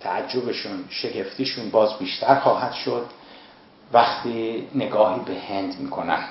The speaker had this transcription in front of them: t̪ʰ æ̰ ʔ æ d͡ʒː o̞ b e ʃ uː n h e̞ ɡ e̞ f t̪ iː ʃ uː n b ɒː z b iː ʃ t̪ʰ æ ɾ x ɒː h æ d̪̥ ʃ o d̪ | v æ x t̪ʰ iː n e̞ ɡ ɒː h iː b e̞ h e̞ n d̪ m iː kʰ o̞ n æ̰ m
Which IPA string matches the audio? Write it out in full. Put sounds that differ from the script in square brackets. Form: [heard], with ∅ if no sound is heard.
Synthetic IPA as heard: t̪ʰ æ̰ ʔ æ d͡ʒː o̞ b e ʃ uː n [ʃ] e̞ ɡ e̞ f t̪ iː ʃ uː n b ɒː z b iː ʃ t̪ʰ æ ɾ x ɒː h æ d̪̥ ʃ o d̪ | v æ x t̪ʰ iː n e̞ ɡ ɒː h iː b e̞ h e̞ n d̪ m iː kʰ o̞ n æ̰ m